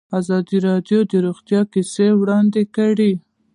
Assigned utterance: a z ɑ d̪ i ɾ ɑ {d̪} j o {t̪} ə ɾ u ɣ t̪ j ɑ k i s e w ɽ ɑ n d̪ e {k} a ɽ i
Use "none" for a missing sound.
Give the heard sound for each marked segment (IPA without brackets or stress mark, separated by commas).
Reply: d̪, d̪, k